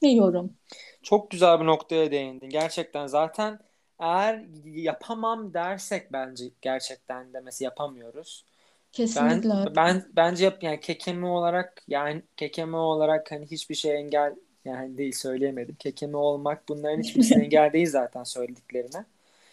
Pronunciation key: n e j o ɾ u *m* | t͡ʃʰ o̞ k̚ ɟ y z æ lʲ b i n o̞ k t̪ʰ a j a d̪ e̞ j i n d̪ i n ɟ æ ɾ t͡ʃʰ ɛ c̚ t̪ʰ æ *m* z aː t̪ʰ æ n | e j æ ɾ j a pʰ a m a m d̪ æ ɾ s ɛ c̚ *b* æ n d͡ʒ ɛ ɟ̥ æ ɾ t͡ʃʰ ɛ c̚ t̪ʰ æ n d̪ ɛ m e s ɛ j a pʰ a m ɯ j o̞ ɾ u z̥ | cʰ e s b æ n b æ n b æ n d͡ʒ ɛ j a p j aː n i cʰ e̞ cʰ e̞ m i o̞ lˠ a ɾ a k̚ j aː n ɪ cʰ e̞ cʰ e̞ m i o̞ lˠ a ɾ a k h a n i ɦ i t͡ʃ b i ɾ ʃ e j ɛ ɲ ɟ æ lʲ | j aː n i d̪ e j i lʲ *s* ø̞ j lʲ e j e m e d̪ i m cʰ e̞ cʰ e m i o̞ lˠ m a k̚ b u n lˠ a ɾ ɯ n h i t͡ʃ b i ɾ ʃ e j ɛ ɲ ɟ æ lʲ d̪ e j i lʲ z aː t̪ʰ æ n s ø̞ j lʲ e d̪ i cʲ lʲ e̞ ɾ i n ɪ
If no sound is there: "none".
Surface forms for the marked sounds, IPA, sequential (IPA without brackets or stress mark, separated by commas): m, n, b, s